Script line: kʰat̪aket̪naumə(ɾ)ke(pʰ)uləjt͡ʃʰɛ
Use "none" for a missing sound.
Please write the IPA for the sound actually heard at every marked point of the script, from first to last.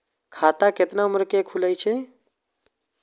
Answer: ɾ, kʰ

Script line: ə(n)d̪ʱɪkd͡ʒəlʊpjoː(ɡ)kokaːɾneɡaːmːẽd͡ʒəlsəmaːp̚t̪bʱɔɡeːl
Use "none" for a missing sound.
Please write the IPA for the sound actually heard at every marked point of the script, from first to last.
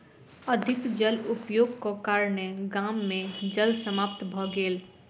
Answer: none, ɡ

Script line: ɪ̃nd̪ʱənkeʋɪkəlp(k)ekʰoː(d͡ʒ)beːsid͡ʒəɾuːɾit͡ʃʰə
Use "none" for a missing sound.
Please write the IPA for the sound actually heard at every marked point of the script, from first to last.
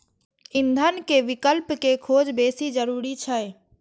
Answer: k, d͡ʒ

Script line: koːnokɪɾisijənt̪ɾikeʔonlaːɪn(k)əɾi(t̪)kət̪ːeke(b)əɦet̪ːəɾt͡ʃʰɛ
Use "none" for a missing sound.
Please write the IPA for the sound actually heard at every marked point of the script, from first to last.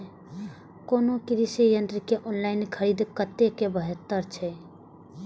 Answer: kʰ, d̪, b

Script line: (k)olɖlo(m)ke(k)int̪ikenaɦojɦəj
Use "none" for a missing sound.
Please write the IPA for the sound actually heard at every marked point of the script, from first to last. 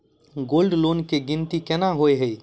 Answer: ɡ, n, ɡ

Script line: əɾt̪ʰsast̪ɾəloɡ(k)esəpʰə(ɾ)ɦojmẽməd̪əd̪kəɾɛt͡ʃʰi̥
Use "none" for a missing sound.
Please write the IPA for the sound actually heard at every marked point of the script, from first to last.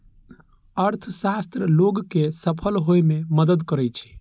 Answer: k, l

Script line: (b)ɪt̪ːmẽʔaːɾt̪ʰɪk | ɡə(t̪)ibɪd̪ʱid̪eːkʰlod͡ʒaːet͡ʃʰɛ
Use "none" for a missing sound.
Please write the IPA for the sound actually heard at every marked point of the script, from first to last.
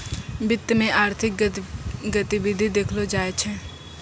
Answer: b, t̪

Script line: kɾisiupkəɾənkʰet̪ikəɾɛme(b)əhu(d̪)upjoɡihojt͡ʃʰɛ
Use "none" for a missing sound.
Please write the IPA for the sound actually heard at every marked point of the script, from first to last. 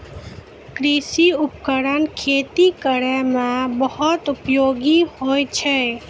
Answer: b, t̪

